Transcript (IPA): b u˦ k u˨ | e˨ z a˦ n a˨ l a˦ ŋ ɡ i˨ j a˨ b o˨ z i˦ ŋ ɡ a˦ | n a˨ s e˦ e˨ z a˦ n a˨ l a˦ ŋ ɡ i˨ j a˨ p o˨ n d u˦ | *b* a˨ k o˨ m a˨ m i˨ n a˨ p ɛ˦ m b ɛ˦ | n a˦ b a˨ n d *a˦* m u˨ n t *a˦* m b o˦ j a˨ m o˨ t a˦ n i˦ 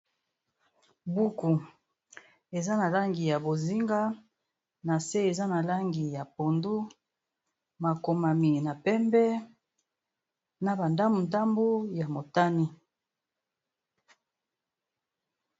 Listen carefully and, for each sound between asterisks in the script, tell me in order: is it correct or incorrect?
incorrect: m, correct, correct

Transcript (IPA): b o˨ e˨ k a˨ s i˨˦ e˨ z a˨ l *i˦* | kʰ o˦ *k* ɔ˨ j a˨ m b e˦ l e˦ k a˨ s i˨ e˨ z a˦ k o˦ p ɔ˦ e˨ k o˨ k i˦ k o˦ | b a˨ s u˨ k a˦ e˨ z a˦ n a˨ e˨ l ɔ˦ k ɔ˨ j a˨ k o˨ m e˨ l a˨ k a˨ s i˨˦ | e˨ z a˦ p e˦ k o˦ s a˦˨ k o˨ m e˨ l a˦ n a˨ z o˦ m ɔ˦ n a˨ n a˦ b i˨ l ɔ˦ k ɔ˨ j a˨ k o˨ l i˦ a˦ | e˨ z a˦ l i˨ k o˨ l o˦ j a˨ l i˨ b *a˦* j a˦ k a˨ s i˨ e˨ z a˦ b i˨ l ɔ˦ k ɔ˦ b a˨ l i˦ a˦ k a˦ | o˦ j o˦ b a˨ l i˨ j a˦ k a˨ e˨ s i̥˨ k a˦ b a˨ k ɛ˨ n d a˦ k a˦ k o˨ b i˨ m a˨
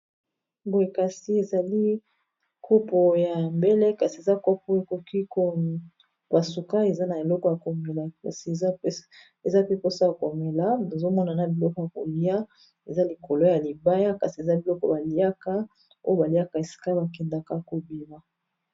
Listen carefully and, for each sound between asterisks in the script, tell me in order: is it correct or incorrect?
correct, incorrect: p, correct

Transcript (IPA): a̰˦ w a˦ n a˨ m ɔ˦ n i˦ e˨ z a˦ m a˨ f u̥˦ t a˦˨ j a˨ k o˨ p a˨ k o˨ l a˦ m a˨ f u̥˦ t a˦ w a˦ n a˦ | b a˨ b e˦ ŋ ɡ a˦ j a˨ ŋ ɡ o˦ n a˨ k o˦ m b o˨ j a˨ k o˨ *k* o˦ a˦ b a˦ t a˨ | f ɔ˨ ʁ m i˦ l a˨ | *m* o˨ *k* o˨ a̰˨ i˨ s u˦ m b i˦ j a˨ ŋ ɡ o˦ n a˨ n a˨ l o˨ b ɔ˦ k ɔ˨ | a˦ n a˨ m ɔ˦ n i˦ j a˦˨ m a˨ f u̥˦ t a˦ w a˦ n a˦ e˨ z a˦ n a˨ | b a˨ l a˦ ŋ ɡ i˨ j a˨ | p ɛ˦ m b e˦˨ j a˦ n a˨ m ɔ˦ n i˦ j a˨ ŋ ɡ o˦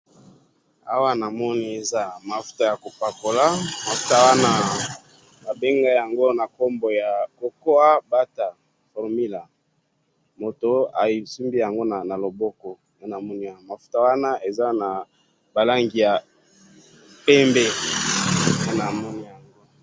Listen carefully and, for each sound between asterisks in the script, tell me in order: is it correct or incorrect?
correct, correct, incorrect: t

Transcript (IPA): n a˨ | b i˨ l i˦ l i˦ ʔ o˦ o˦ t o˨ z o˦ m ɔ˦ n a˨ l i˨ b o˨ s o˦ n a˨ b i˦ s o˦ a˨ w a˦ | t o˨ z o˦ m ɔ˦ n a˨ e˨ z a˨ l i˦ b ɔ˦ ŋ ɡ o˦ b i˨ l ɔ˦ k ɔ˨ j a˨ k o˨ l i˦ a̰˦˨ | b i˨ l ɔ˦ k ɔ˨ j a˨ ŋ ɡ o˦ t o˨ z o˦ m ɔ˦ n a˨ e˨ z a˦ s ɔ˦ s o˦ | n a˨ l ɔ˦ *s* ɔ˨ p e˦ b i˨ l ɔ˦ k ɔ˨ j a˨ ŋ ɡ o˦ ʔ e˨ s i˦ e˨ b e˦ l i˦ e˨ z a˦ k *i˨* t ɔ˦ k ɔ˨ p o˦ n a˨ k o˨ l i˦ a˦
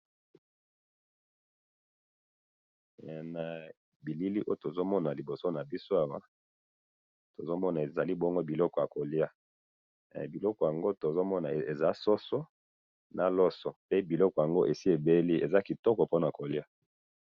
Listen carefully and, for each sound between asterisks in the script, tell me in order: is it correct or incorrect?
correct, correct

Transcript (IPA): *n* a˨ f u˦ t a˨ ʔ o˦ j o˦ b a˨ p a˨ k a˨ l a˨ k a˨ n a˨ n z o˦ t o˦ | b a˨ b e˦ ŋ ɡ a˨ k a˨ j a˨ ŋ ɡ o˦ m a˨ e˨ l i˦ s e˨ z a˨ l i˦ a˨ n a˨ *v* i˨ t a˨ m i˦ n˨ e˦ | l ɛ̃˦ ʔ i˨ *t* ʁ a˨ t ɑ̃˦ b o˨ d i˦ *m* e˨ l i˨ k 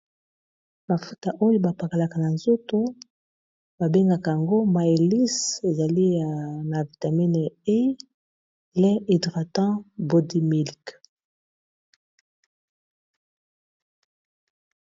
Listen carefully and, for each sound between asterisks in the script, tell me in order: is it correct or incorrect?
incorrect: m, correct, incorrect: d, correct

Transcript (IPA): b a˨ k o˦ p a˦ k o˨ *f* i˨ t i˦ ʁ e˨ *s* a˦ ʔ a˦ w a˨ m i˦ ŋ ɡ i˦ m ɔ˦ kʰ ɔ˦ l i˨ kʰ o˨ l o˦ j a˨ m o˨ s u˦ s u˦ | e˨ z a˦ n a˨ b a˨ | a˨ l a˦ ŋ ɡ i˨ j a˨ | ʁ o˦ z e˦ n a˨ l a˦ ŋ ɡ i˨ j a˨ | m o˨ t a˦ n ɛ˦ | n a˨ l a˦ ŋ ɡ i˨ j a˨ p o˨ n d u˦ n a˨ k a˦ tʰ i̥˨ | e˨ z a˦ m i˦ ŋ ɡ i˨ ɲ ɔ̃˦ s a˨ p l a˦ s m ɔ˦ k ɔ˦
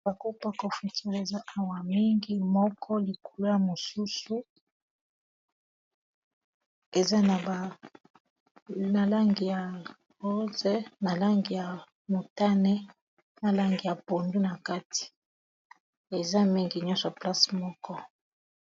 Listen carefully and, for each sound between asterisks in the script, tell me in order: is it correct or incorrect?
correct, incorrect: z

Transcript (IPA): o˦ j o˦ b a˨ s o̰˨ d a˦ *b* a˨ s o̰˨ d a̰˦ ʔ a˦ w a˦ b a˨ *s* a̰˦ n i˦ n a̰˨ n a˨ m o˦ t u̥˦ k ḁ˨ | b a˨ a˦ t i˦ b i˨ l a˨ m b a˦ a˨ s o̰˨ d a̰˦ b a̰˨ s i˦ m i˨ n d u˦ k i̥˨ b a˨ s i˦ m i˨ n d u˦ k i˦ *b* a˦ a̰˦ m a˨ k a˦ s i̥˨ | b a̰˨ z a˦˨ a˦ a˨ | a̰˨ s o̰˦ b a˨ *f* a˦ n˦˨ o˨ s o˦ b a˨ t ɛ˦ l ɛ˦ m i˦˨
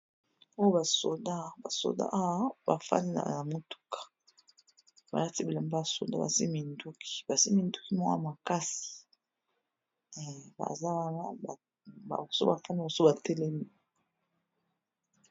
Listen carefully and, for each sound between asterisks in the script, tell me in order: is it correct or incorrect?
correct, incorrect: f, incorrect: m, correct

